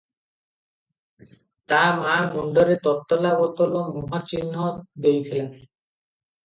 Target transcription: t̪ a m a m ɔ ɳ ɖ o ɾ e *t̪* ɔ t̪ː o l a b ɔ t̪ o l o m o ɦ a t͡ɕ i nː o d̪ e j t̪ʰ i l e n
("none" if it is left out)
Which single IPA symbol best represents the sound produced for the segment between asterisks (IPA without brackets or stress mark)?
t̪